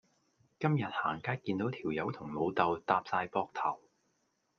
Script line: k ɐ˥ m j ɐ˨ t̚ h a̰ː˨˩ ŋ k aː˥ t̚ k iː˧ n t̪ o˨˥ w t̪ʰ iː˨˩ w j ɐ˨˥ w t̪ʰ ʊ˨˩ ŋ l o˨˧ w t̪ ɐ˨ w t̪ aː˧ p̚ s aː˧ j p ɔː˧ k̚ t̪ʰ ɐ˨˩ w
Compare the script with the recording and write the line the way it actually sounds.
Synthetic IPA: k ɐ˥ m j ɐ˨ t̚ h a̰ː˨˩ ŋ k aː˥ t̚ k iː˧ n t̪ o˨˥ w t̪ʰ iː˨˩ w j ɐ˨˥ w t̪ʰ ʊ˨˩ ŋ l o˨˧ w t̪ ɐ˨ w t̪ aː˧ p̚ s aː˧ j p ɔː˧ k̚ t̪ʰ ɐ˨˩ w